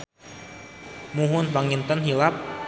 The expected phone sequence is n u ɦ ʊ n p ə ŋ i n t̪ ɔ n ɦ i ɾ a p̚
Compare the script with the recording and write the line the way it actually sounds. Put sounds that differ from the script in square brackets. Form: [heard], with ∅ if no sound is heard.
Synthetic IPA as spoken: [m] u ɦ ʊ n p [a] ŋ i n t̪ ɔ n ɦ i [l] a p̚